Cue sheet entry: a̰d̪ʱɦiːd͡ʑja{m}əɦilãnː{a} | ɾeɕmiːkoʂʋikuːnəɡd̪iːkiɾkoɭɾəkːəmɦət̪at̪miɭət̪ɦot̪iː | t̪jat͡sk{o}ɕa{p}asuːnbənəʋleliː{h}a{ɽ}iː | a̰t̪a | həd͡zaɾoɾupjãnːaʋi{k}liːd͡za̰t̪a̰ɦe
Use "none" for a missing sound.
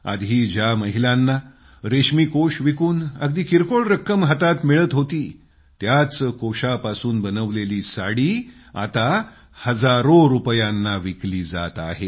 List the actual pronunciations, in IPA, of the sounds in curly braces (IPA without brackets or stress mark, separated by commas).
m, a, o, p, s, ɽ, k